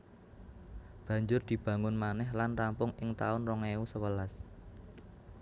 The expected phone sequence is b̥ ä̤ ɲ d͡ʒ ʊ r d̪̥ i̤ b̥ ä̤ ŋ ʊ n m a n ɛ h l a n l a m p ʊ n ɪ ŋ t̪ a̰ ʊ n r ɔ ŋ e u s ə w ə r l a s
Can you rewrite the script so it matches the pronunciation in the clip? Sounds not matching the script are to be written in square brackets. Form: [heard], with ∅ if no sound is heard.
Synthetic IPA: b̥ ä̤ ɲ d͡ʒ ʊ r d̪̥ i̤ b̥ ä̤ ŋ ʊ n m a n ɛ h l a n [r] a m p ʊ [ŋ] ɪ ŋ t̪ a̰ ʊ n r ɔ ŋ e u s ə w ə [∅] l a s